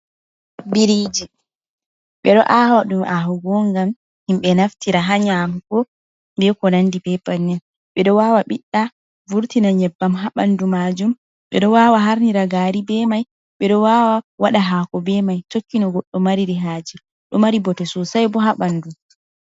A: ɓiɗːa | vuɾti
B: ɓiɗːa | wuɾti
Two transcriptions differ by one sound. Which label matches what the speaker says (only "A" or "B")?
A